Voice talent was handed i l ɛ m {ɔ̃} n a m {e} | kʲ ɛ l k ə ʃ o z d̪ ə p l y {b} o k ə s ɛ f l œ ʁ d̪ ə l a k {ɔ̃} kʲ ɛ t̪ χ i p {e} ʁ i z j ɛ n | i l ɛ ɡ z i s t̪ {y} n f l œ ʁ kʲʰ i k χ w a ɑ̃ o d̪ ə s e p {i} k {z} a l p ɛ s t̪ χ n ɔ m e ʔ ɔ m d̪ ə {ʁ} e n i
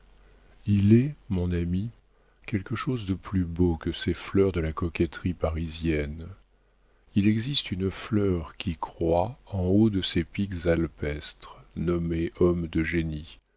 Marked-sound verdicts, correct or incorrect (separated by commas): correct, incorrect, correct, incorrect, incorrect, correct, correct, correct, incorrect